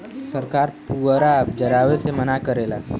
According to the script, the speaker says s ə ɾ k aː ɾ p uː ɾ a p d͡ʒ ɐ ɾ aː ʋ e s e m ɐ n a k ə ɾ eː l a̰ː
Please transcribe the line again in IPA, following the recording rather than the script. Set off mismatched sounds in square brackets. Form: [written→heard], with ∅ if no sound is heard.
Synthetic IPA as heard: s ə ɾ k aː ɾ p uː ɾ a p d͡ʒ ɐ ɾ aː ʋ e s e m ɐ n a k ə ɾ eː l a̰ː